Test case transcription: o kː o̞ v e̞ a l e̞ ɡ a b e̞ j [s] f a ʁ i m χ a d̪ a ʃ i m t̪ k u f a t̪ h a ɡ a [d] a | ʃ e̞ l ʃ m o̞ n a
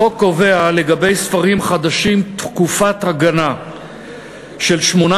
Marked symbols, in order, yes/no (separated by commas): yes, no